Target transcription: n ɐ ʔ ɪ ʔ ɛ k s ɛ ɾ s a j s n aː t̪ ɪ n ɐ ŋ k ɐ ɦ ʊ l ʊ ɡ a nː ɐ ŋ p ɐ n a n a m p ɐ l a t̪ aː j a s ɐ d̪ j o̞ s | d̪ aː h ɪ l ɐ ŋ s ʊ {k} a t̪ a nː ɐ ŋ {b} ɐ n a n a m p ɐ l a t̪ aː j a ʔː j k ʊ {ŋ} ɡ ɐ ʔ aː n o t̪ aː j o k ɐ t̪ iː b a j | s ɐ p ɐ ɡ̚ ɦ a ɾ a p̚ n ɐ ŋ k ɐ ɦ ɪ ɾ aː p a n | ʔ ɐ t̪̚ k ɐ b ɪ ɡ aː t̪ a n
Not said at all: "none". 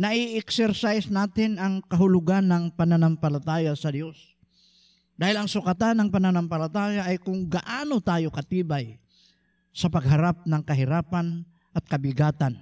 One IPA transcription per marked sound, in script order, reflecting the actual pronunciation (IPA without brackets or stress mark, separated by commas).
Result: k, p, ŋ